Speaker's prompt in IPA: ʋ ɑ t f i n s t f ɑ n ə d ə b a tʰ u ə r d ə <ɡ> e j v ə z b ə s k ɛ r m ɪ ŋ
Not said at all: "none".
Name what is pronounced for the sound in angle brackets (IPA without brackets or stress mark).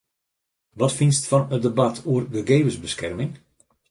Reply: ɡ